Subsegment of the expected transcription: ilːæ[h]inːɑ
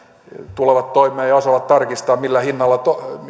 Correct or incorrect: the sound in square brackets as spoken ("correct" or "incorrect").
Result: correct